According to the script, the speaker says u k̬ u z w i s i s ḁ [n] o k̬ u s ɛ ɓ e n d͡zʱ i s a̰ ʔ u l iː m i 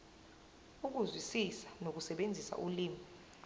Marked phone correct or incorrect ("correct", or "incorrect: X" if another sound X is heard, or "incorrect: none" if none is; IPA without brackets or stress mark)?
correct